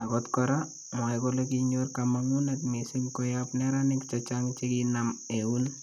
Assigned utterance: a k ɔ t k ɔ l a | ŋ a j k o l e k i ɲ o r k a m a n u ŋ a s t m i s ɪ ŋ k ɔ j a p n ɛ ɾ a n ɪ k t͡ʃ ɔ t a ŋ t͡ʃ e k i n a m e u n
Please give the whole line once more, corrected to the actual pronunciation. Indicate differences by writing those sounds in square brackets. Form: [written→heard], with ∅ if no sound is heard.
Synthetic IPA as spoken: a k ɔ t k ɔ [l→ɾ] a | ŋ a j k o l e k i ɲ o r k a m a [n→ŋ] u [ŋ→n] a [s→∅] t m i s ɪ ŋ k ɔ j a p n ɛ ɾ a n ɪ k t͡ʃ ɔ [t→t͡ʃ] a ŋ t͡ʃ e k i n a m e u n